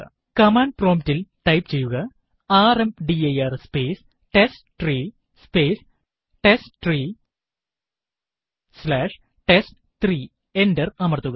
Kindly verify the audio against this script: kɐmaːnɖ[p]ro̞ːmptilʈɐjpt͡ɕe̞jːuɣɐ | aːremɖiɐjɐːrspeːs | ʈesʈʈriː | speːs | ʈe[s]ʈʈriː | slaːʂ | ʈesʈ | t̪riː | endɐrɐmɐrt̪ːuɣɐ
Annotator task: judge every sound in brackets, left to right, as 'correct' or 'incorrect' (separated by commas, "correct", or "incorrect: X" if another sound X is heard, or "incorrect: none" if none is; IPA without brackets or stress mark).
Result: correct, correct